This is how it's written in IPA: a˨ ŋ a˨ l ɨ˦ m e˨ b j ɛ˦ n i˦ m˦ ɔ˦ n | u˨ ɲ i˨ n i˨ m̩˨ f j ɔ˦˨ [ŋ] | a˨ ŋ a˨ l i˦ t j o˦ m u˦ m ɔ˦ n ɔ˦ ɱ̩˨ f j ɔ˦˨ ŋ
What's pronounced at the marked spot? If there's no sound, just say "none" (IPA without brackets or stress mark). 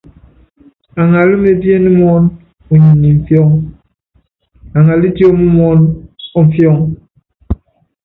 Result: ŋ